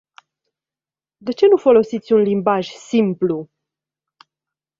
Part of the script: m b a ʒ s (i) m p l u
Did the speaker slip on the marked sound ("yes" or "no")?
no